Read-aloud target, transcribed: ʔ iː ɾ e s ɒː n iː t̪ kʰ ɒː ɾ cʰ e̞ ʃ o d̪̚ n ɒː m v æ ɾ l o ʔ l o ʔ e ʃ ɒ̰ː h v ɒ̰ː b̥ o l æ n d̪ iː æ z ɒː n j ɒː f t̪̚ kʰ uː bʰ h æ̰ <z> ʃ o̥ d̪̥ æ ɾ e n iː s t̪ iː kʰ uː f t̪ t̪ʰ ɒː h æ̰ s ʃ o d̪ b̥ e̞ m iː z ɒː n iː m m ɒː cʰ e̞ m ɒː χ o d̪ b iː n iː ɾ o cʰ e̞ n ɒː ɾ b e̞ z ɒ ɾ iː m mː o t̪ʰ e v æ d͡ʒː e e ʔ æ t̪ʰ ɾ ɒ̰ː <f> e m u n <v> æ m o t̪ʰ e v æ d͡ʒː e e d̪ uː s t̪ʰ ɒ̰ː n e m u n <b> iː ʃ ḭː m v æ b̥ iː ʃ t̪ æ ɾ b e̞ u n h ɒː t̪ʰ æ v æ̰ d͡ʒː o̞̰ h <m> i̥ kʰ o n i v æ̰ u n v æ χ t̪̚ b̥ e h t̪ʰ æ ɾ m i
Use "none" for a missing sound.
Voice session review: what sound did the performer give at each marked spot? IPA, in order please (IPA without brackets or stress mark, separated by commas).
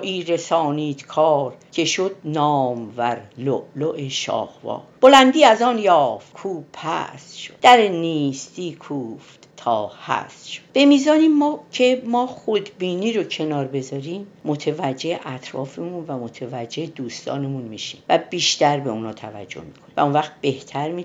s, f, v, m, m